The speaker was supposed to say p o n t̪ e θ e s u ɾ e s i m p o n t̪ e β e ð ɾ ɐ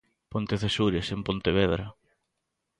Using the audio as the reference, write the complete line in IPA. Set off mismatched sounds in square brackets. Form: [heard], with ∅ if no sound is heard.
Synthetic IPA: p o n t̪ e θ e s u ɾ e s [e] m p o n t̪ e β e ð ɾ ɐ